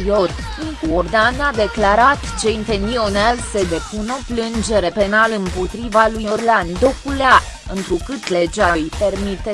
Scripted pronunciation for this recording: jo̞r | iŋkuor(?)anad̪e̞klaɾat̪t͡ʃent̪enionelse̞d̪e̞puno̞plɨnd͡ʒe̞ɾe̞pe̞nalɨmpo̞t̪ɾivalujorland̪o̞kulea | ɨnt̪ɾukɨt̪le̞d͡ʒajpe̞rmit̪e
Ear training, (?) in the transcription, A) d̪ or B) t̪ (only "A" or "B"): A